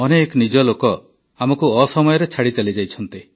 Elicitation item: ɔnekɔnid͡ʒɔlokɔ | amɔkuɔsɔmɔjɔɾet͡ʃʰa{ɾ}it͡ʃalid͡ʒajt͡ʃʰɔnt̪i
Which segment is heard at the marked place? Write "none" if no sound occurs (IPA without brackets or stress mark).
ɽ